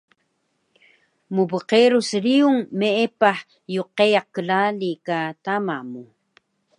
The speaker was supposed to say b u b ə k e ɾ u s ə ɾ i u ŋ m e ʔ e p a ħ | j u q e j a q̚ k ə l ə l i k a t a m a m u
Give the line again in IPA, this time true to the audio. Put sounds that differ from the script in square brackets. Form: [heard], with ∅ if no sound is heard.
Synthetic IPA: [m] u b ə [q] e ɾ u s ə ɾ i u ŋ m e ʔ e p a ħ | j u q e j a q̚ k ə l [a] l i k a t a m a m u